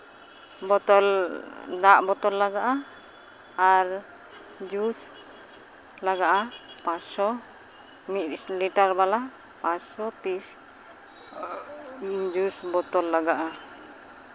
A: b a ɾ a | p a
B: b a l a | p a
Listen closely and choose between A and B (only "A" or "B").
B